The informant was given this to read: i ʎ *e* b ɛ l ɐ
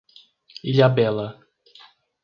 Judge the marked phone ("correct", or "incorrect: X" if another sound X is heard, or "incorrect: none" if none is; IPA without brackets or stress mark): incorrect: a